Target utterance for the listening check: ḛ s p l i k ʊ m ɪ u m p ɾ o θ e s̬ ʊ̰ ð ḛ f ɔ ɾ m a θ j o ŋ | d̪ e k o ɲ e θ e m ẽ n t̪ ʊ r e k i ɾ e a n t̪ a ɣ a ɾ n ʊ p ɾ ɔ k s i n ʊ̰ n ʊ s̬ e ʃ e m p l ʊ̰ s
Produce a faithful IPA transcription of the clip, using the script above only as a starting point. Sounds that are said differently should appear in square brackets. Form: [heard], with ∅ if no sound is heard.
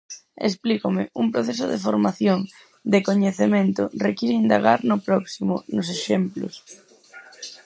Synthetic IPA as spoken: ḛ s p l i k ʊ m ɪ u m p ɾ o θ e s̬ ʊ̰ ð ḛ f [o] ɾ m a θ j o ŋ | d̪ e k o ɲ e θ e m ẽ n t̪ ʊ r e k i ɾ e [i] n [d̪] a ɣ a ɾ n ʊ p ɾ ɔ k s i [m] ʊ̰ n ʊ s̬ e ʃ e m p l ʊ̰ s